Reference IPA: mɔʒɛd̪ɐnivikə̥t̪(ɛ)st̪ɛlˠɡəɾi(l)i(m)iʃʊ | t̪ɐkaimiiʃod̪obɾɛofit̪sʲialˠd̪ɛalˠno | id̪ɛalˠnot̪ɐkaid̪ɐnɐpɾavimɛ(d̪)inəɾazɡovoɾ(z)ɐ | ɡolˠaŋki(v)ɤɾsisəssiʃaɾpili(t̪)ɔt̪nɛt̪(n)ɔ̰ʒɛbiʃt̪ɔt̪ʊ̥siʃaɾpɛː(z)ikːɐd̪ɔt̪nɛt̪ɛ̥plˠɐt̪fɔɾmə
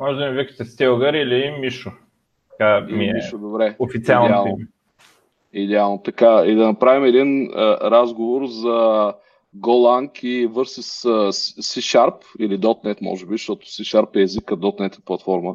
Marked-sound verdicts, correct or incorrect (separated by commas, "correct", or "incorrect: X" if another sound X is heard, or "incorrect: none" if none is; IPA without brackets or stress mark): correct, correct, correct, correct, correct, correct, incorrect: d̪, incorrect: m, correct